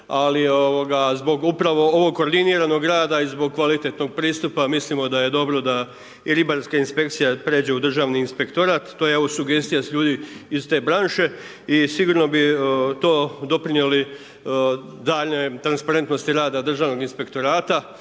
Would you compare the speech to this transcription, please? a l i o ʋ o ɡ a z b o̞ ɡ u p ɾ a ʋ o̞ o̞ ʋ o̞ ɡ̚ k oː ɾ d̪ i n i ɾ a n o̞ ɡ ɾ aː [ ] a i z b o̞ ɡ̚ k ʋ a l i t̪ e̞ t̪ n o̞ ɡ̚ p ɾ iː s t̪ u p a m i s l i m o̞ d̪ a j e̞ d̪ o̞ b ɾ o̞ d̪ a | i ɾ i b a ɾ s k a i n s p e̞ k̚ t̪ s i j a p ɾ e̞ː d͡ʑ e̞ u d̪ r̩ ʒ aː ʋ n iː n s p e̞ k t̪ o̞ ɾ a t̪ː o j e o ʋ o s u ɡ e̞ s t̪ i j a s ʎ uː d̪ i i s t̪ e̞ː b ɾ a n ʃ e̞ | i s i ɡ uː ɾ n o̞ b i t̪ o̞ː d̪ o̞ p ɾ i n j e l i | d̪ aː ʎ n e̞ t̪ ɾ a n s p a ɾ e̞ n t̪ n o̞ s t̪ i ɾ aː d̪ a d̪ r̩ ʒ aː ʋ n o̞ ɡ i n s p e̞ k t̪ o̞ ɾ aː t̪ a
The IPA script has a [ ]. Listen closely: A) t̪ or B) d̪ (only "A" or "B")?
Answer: B